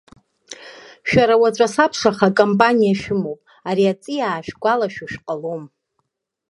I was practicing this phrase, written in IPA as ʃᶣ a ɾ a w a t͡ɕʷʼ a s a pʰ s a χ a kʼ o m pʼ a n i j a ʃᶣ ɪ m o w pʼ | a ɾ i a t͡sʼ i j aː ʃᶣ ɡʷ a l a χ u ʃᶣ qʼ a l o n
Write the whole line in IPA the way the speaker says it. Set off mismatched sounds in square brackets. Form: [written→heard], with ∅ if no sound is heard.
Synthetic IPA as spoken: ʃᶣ a ɾ a w a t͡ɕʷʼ a s a pʰ [s→ʂ] a χ a kʼ o m pʼ a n i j a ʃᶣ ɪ m o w pʼ | a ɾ i a t͡sʼ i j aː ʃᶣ ɡʷ a l a [χ→ʃ] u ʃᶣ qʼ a l o [n→m]